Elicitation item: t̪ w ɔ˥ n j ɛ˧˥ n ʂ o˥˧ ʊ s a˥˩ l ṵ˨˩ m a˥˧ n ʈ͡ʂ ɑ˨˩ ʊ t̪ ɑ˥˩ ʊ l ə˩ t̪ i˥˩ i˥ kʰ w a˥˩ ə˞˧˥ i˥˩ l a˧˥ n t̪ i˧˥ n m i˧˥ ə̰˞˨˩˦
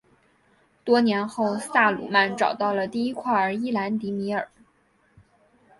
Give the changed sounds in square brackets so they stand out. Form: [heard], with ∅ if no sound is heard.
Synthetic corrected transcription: t̪ w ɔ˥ n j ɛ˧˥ n [x] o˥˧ ʊ s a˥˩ l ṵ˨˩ m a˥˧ n ʈ͡ʂ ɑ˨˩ ʊ t̪ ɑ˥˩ ʊ l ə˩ t̪ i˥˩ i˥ kʰ w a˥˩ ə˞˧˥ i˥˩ l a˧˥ n t̪ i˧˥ [∅] m i˧˥ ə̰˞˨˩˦